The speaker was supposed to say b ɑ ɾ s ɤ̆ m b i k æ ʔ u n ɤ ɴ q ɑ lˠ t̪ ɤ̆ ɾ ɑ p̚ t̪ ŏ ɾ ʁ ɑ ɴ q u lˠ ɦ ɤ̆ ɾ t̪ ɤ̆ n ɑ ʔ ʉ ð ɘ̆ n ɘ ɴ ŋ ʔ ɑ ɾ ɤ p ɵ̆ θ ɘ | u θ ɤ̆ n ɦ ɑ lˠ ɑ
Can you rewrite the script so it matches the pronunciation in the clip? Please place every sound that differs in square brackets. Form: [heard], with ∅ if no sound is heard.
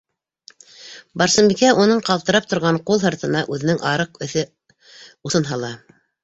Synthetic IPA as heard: b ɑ ɾ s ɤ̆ m b i k æ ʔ u n ɤ ɴ q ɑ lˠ t̪ ɤ̆ ɾ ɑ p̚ t̪ ŏ ɾ ʁ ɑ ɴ q u lˠ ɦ ɤ̆ ɾ t̪ ɤ̆ n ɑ ʔ ʉ ð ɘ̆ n ɘ [∅] ŋ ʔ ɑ ɾ ɤ [q] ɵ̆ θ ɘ | u θ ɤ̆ n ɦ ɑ lˠ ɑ